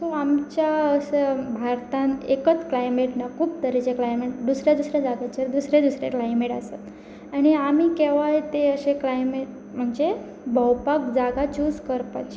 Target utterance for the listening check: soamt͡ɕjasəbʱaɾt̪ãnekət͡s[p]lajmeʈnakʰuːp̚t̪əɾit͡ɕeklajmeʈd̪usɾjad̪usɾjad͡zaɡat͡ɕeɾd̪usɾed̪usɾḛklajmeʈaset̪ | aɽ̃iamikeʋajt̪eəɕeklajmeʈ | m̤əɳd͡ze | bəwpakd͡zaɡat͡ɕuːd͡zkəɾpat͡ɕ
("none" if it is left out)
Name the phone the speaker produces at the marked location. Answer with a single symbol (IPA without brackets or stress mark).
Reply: k